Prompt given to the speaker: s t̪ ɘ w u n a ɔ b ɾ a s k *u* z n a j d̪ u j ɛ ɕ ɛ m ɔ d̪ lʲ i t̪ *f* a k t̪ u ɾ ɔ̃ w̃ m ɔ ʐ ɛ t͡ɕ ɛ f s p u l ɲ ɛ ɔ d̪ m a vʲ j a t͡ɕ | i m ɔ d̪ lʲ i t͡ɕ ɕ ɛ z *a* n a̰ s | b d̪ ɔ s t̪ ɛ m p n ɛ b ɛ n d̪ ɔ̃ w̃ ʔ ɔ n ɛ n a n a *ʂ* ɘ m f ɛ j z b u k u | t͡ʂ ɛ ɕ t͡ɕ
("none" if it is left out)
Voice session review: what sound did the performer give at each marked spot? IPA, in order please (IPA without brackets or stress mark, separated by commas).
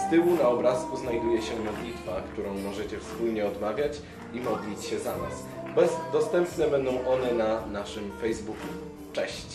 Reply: u, f, a, ʂ